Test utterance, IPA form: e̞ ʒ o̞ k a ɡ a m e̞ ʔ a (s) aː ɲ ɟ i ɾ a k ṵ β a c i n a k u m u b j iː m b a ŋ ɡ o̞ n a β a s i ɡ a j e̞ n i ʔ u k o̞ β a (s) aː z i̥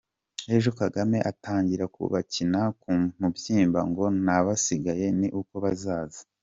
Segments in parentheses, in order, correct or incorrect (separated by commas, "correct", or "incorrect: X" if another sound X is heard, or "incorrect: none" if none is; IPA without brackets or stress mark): incorrect: t, incorrect: z